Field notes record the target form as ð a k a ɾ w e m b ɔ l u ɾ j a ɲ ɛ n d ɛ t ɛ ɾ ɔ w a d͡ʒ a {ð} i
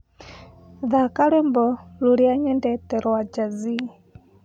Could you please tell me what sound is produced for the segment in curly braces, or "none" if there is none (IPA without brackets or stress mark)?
z